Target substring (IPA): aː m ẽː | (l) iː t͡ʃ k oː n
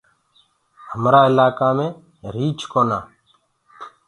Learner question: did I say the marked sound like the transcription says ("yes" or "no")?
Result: no